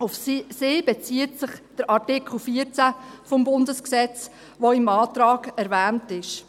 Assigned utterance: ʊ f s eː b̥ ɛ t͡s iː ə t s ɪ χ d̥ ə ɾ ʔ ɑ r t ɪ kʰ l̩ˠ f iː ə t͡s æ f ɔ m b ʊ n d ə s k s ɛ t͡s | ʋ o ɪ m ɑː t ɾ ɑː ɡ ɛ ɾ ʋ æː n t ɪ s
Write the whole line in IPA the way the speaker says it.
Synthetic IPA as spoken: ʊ f s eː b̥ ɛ t͡s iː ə t s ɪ χ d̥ ə ɾ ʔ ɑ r t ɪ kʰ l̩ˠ f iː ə t͡s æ f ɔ m b ʊ n d ə s k s ɛ t͡s | ʋ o ɪ m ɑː t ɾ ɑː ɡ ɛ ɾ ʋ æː n t ɪ ʃ